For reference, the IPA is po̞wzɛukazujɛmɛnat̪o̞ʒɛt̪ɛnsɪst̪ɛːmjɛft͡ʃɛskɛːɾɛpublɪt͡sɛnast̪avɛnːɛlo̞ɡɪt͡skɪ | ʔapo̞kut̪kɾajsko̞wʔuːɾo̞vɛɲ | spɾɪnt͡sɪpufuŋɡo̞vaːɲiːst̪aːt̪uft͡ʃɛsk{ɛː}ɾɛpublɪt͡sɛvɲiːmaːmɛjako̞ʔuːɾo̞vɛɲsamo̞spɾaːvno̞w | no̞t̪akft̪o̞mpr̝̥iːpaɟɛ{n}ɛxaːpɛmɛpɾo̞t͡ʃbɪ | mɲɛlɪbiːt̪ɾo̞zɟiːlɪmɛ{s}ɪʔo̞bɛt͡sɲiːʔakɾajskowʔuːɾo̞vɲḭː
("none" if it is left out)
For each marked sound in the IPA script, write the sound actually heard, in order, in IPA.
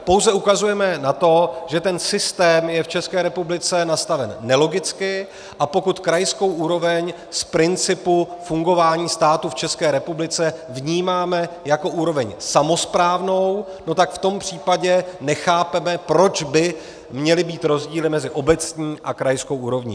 ɛː, n, z

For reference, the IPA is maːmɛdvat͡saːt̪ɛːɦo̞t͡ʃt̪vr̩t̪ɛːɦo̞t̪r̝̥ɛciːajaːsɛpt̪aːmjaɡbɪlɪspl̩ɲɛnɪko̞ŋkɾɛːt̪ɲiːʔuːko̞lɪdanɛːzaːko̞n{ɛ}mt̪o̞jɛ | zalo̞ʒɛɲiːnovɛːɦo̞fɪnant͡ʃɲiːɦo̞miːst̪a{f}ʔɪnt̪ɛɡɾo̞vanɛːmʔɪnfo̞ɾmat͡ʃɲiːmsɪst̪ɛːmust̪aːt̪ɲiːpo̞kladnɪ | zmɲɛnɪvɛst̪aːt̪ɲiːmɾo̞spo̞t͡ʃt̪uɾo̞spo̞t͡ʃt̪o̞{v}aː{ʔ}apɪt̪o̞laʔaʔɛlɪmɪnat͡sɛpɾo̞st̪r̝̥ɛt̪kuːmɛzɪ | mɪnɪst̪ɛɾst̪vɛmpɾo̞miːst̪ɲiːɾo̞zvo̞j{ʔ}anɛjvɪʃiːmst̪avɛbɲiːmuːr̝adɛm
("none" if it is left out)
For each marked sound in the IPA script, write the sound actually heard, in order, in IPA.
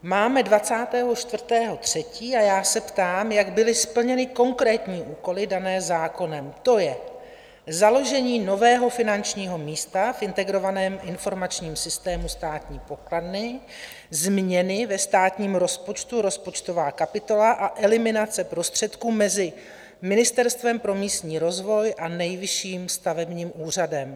ɛ, f, v, k, ʔ

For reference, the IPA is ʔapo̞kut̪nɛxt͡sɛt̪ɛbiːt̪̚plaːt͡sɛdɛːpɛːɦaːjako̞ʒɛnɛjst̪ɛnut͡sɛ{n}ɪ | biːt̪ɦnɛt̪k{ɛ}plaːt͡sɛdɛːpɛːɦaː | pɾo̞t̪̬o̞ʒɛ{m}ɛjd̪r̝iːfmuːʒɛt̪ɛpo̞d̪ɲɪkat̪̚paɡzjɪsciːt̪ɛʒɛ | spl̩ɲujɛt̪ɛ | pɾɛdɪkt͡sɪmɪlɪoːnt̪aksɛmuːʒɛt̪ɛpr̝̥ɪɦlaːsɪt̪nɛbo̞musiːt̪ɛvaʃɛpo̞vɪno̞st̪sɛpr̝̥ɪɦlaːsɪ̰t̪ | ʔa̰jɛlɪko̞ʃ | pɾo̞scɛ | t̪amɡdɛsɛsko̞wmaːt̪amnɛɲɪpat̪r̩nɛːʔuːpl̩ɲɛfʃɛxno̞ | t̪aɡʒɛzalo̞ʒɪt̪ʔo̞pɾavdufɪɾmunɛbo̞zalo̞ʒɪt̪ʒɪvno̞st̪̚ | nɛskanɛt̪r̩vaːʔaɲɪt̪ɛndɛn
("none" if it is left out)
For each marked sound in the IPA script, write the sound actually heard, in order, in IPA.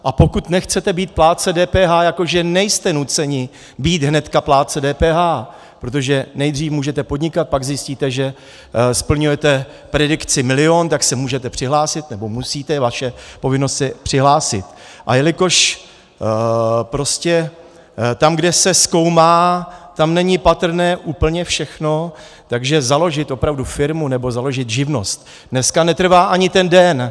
ɲ, a, n

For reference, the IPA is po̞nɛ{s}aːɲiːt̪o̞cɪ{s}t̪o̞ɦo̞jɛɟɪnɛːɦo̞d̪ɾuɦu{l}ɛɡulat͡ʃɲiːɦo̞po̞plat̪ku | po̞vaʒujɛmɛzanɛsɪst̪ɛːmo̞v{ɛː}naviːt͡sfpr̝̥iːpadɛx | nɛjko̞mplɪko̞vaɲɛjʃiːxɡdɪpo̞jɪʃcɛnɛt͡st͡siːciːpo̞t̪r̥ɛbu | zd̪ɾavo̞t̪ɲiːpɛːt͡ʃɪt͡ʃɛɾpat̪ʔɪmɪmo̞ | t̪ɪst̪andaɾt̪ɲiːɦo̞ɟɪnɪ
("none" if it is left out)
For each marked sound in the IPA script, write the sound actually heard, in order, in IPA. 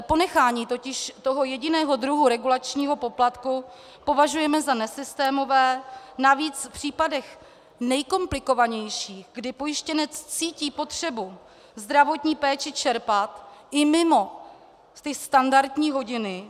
x, ʃ, ɾ, ɛː

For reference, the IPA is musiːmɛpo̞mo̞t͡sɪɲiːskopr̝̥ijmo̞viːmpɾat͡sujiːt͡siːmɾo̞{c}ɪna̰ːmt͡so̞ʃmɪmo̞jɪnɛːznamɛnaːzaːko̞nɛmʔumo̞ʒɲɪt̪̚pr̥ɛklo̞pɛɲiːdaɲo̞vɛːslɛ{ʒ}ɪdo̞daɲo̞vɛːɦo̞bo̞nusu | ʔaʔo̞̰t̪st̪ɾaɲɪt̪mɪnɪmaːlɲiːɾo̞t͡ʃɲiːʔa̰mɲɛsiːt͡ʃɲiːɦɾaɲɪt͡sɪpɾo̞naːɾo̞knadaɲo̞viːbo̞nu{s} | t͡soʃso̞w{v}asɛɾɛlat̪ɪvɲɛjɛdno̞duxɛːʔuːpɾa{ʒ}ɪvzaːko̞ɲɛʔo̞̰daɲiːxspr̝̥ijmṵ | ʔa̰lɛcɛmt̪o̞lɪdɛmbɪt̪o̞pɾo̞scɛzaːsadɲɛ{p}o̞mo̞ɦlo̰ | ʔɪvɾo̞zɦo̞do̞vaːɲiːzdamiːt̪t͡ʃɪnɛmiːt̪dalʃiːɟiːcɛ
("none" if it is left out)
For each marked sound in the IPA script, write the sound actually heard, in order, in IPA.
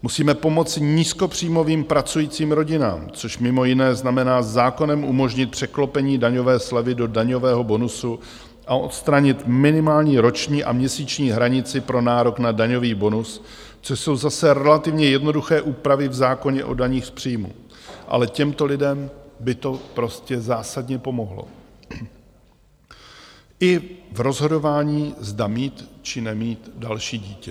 ɟ, v, s, z, v, p

